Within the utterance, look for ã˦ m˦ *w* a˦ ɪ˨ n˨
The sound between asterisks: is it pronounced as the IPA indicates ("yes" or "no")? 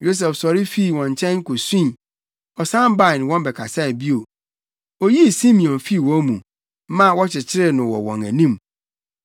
no